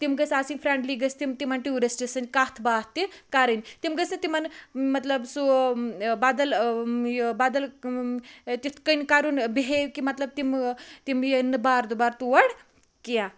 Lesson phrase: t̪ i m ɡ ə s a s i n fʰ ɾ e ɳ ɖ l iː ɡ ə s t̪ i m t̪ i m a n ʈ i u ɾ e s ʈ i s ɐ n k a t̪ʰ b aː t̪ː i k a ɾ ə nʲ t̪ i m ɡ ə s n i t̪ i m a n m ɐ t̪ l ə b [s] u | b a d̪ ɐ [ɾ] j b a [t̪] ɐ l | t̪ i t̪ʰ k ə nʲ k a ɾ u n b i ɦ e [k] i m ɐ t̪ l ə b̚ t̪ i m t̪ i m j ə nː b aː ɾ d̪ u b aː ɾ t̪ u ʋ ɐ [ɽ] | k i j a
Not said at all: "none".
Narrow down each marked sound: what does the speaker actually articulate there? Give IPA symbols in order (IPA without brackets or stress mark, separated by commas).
s, l, d̪, k, ɽ